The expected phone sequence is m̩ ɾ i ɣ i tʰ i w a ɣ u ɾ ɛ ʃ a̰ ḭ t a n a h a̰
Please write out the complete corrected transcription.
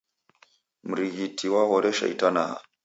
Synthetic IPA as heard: m̩ ɾ i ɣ i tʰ i w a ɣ ɔ ɾ ɛ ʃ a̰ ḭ t a n a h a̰